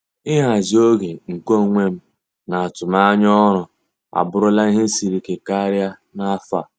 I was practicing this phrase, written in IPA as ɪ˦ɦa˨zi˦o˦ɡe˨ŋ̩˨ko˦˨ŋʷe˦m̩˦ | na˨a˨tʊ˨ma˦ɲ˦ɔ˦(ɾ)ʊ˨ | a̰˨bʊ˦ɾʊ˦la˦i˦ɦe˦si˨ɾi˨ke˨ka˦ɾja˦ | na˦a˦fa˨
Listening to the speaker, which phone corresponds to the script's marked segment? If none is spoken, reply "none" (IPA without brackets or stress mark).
ɾ